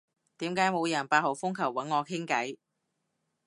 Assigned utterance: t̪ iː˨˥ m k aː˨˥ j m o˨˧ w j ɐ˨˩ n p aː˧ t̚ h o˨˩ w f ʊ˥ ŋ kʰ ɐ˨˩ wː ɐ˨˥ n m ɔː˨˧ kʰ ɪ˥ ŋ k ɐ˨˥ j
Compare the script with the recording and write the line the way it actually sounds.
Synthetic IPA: t̪ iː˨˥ m k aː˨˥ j m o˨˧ w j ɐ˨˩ n p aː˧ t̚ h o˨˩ w f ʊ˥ ŋ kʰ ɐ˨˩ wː ɐ˨˥ n ŋ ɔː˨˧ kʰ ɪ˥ ŋ k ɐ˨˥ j